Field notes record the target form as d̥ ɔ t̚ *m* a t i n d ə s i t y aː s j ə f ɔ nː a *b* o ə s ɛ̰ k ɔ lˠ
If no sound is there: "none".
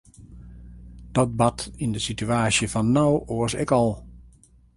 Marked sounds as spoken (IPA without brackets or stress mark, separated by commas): b, w